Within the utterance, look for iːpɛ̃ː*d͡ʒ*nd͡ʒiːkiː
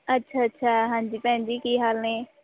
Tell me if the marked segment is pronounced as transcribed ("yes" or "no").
no